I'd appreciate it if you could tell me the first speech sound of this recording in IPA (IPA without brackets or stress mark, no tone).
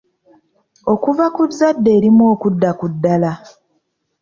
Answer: o̞